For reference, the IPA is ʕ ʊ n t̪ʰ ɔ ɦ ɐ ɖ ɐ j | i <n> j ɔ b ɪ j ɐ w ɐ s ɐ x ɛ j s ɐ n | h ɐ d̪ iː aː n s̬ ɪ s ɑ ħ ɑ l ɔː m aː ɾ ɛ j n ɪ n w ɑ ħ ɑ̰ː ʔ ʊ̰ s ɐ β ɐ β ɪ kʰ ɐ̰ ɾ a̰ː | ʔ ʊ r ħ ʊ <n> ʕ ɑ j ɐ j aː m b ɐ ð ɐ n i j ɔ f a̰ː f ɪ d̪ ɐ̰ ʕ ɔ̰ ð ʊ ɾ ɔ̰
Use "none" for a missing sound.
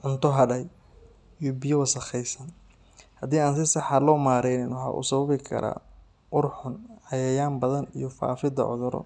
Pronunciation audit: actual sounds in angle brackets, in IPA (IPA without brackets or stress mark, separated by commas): none, n